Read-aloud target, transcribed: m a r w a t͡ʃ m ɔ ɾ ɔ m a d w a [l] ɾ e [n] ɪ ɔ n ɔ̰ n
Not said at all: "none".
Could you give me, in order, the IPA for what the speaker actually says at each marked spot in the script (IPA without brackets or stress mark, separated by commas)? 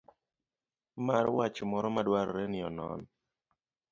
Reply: ɾ, n